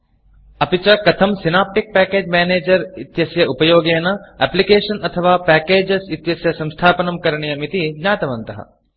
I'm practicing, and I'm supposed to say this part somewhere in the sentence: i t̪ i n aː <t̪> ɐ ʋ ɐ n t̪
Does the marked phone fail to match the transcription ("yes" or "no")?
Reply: no